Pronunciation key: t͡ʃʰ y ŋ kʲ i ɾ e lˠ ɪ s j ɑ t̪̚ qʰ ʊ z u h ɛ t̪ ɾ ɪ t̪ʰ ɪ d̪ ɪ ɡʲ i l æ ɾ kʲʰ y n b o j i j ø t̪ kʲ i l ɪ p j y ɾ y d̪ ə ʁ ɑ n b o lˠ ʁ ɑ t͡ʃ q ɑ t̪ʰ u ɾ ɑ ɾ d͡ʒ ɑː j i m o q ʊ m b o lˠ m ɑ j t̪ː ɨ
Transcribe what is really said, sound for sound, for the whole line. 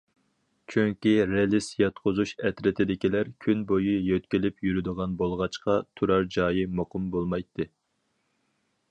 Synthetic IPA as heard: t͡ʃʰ y ŋ kʲ i ɾ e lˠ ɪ s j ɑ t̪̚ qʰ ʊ z u ʃ ɛ t̪ ɾ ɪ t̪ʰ ɪ d̪ ɪ kʲ i l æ ɾ kʲʰ y n b o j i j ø t̪ kʲ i l ɪ p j y ɾ y d̪ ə ʁ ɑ n b o lˠ ʁ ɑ t͡ʃ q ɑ t̪ʰ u ɾ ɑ ɾ d͡ʒ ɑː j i m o q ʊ m b o lˠ m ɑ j t̪ː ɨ